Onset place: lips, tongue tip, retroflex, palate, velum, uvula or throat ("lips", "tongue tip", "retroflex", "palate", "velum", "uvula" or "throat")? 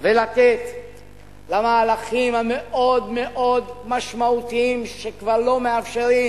lips